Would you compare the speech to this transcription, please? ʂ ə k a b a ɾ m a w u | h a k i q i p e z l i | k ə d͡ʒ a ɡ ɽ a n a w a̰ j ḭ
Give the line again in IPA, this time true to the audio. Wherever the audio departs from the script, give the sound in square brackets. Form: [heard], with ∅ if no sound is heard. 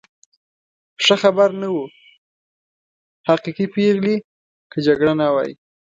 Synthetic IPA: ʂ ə [x] a b a ɾ [n] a w u | h a [q] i q i p e [ɣ] l i | k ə d͡ʒ a ɡ ɽ a n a w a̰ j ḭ